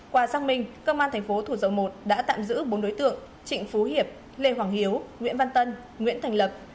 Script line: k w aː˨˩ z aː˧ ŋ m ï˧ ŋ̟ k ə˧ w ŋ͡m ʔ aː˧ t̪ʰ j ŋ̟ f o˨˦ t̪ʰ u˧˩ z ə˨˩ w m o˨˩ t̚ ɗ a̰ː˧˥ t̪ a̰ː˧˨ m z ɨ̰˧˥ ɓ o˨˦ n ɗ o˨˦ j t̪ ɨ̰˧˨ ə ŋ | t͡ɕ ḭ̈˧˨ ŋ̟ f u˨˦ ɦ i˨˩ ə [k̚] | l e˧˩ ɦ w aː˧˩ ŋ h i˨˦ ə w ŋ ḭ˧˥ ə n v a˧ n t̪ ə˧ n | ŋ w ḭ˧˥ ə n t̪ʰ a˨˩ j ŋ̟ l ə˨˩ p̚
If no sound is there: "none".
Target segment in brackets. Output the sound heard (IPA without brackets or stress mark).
p̚